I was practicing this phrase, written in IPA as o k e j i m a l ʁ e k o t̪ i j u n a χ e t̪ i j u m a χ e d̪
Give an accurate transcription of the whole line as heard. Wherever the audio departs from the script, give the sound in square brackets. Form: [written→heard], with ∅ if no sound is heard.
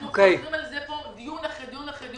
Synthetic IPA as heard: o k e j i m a l [ʁ→z] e [k→p] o [t̪→d̪] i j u n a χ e [t̪→d̪] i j u [m→n] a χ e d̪